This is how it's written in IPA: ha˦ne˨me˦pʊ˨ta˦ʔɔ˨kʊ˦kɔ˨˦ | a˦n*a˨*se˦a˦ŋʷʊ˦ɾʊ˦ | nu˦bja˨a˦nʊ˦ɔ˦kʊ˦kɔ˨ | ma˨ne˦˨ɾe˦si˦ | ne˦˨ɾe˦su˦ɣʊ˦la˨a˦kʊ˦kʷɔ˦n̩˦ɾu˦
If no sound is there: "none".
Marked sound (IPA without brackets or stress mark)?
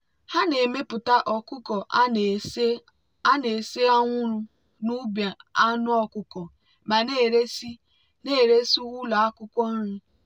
e˨